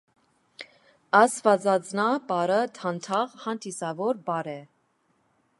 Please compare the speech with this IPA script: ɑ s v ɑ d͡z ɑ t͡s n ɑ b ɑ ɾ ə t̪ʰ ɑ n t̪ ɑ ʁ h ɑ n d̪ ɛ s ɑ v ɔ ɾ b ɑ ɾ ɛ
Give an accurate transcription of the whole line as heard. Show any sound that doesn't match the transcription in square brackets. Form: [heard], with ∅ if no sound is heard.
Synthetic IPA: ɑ s v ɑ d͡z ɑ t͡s n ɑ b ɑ ɾ ə t̪ʰ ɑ n [t̪ʰ] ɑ ʁ h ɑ n d̪ [i] s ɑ v ɔ ɾ b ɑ ɾ ɛ